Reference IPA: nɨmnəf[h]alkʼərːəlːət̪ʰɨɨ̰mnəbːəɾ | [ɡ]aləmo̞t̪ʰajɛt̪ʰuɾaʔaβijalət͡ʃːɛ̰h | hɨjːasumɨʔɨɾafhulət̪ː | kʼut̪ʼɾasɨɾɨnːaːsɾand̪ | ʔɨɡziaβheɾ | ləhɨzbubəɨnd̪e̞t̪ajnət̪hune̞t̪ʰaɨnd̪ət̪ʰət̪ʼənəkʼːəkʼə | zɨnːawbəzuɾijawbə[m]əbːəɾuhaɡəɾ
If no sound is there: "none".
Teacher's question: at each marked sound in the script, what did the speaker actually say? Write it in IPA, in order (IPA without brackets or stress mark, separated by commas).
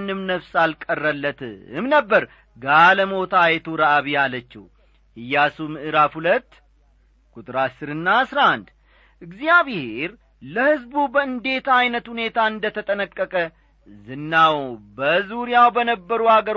s, ɡ, n